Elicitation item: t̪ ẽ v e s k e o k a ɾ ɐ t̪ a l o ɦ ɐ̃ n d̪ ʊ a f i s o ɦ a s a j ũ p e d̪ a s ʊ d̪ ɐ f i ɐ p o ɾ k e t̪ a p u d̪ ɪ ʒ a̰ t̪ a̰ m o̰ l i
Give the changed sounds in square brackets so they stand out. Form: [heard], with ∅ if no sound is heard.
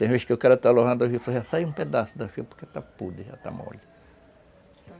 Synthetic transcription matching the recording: t̪ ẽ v e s k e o k a ɾ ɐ t̪ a l o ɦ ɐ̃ n d̪ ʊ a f i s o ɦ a s a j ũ p e d̪ a s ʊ d̪ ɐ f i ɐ p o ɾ k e t̪ a p u d̪ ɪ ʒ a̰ t̪ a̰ m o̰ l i